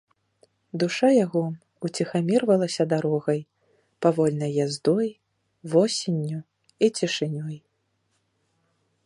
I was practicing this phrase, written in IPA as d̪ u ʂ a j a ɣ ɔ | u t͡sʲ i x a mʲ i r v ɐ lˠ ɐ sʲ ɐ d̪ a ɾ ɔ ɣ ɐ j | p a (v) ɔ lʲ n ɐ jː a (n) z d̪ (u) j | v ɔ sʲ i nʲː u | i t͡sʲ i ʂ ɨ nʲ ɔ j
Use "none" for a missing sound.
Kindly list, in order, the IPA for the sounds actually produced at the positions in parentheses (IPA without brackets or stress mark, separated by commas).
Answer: v, none, ɔ